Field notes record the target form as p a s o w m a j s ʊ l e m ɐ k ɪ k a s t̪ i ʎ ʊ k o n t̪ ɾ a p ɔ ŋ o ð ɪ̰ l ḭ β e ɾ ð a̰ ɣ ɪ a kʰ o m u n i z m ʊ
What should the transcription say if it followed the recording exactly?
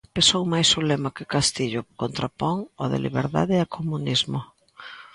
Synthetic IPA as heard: p e s o w m a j s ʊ l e m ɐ k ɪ k a s t̪ i ʎ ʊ k o n t̪ ɾ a p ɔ ŋ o ð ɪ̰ l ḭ β e ɾ ð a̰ ð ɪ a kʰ o m u n i z m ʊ